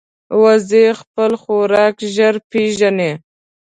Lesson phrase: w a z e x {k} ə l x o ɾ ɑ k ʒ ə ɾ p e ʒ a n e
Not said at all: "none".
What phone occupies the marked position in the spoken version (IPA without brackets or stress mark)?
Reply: p